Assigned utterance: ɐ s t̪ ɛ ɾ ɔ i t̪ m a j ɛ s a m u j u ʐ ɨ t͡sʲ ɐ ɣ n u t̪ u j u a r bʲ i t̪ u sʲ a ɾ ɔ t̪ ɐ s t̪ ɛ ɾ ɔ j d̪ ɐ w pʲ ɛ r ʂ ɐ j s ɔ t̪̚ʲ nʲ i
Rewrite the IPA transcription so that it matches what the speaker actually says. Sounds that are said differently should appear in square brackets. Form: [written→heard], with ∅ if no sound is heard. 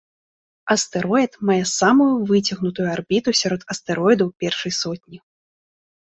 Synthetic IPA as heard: ɐ s t̪ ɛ ɾ ɔ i t̪ m a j ɛ s a m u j u [ʐ→v] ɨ t͡sʲ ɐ ɣ n u t̪ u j u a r bʲ i t̪ u sʲ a ɾ ɔ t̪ ɐ s t̪ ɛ ɾ ɔ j d̪ ɐ w pʲ ɛ r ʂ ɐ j s ɔ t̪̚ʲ nʲ i